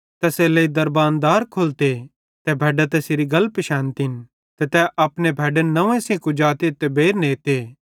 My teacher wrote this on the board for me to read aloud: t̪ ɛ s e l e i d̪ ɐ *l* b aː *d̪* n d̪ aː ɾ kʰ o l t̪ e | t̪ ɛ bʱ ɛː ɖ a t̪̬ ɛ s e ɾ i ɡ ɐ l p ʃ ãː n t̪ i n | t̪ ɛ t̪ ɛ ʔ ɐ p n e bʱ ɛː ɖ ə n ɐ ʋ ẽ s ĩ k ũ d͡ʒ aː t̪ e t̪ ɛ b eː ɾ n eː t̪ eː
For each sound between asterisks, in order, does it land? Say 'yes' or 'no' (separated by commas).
no, no